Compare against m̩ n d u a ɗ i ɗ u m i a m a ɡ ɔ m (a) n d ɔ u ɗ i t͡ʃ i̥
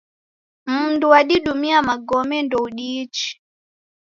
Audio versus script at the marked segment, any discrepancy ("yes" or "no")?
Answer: yes